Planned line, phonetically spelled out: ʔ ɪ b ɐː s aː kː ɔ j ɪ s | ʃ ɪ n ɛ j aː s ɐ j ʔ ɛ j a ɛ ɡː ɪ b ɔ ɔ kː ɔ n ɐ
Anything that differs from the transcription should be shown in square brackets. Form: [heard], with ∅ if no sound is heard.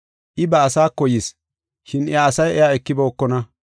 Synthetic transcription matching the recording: ʔ ɪ b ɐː s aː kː ɔ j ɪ s | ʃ ɪ n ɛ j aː s ɐ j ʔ ɛ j a ɛ [kː] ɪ b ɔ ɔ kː ɔ n ɐ